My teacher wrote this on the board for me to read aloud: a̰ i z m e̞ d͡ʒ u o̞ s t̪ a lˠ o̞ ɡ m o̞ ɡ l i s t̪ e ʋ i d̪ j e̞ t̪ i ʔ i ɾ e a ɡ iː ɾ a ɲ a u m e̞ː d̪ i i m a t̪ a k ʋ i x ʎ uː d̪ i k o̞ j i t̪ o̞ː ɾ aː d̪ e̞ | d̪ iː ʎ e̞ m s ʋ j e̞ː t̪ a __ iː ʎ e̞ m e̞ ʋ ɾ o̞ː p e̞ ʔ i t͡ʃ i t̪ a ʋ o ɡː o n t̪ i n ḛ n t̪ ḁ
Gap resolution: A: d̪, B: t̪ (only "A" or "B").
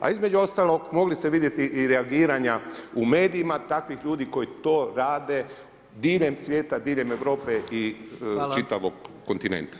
A